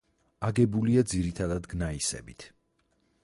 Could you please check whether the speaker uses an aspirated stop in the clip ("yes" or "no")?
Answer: yes